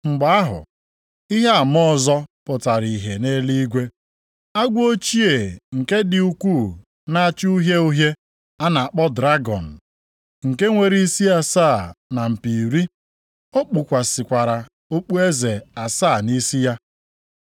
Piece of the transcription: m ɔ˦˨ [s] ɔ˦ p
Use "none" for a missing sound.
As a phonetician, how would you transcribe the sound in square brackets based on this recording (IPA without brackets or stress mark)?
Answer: z